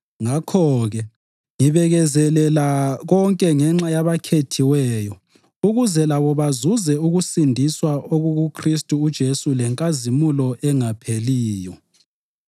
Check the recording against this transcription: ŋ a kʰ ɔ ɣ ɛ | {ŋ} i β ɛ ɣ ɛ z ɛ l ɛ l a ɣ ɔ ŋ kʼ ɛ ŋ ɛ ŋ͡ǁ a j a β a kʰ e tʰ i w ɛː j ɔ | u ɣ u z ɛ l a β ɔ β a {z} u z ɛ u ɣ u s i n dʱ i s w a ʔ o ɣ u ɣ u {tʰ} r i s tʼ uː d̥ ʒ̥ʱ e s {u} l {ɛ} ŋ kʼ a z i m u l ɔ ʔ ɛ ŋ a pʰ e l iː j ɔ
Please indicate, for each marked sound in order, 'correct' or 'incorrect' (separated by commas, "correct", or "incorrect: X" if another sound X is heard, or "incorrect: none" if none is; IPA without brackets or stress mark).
correct, correct, incorrect: kʰ, correct, correct